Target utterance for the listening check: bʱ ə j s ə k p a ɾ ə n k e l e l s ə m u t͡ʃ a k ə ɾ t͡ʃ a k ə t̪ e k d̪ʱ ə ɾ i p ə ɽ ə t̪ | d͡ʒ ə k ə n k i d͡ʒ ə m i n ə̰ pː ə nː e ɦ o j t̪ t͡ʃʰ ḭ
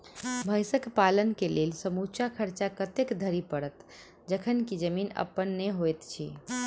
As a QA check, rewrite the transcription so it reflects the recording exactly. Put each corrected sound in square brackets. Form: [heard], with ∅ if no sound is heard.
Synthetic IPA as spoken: bʱ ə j s ə k p a [l] ə n k e l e l s ə m u t͡ʃ a [kʰ] ə ɾ t͡ʃ a k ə t̪ e k d̪ʱ ə ɾ i p ə ɽ ə t̪ | d͡ʒ ə [kʰ] ə n k i d͡ʒ ə m i n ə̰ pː ə nː e ɦ o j t̪ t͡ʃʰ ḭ